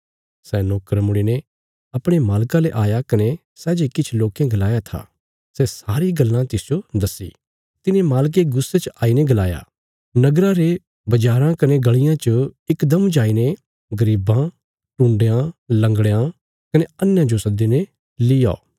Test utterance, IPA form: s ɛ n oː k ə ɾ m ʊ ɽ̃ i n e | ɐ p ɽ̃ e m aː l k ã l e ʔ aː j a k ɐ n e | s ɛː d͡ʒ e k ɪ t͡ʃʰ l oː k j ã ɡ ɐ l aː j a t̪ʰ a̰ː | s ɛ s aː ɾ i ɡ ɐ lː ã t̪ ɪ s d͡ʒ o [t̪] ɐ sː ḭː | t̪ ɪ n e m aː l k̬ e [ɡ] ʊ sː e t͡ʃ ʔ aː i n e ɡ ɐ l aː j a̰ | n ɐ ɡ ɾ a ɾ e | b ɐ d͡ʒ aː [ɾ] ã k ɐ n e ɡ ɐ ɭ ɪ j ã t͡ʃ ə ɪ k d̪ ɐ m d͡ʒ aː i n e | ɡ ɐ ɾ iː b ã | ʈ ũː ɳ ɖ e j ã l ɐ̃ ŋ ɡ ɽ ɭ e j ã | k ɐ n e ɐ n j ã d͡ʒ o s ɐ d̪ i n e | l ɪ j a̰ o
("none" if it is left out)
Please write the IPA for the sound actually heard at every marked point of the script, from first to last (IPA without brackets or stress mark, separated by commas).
d̪, ɡ, ɾ